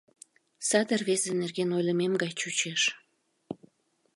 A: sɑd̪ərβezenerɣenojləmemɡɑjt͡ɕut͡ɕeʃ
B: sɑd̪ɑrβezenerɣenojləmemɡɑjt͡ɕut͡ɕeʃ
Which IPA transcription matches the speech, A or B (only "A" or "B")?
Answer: A